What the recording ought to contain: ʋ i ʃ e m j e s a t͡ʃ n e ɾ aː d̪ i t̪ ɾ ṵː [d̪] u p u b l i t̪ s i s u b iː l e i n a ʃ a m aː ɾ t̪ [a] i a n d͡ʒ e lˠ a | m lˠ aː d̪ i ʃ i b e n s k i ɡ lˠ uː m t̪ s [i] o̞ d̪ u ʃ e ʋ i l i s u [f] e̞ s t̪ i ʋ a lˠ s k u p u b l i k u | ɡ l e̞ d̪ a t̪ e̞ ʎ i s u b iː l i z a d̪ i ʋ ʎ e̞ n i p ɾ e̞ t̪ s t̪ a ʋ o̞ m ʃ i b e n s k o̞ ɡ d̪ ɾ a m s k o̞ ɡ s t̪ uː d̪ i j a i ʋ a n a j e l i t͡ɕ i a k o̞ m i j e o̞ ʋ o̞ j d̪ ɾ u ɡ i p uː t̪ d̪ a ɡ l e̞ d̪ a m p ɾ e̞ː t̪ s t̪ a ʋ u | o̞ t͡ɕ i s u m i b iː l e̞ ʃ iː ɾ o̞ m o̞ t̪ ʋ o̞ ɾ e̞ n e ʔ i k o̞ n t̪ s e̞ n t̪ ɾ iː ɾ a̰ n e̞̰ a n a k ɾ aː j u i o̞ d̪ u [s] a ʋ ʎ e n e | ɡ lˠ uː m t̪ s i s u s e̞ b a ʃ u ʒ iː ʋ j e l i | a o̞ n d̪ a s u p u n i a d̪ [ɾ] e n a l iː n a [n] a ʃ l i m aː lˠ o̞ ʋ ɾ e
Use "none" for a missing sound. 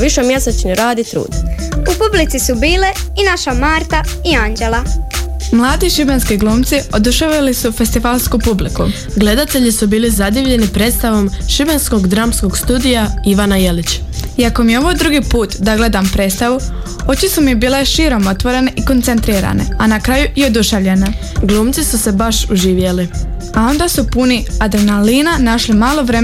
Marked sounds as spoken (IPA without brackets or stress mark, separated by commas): d̪, a, i, f, ʃ, ɾ, n